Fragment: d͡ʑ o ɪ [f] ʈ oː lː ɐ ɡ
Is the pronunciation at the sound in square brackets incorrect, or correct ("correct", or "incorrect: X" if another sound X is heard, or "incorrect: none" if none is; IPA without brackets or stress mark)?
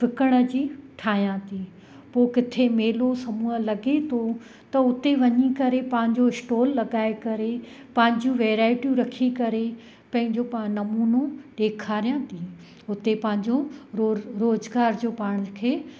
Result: incorrect: s